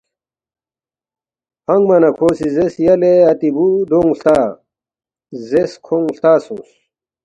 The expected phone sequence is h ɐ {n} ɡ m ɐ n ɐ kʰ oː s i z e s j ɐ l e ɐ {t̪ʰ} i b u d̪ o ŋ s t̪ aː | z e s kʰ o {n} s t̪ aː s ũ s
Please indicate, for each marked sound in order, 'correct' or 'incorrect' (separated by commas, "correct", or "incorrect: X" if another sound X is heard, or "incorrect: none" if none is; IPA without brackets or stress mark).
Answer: incorrect: ŋ, incorrect: t̪, incorrect: ŋ